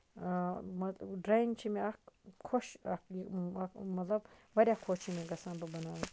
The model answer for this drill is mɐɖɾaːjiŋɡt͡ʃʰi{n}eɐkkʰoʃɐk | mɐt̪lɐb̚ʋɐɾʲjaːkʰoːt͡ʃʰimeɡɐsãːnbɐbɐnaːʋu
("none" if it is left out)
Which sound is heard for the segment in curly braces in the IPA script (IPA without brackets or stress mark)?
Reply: m